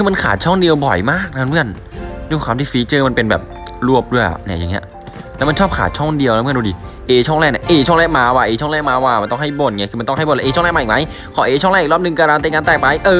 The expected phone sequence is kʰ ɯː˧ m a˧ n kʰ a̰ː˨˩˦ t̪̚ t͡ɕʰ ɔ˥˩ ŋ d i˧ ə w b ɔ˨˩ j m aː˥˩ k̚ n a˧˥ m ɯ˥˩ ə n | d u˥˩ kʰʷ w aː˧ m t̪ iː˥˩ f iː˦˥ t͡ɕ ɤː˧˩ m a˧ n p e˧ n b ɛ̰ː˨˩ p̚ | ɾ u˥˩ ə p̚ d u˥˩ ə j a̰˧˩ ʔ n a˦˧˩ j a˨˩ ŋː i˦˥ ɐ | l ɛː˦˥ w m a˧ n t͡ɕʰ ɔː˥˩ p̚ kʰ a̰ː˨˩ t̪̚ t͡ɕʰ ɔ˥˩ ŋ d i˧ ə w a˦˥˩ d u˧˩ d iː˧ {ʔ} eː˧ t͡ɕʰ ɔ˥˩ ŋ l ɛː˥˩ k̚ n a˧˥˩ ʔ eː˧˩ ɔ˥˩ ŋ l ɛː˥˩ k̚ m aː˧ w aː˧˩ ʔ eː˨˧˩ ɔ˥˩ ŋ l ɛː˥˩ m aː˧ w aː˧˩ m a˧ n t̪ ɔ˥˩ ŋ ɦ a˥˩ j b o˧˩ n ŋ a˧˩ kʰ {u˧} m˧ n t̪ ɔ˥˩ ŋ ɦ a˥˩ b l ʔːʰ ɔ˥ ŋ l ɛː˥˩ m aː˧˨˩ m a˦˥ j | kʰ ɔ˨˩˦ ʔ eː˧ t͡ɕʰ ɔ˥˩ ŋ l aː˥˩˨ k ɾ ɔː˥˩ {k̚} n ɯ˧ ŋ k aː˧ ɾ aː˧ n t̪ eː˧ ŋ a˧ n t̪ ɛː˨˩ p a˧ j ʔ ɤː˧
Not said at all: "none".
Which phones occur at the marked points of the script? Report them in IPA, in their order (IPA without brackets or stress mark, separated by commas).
ʔ, ɯ˧, p̚